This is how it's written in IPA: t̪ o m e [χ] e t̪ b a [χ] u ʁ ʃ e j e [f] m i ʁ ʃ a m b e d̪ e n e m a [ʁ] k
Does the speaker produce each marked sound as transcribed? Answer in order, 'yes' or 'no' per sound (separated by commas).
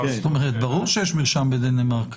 no, no, no, yes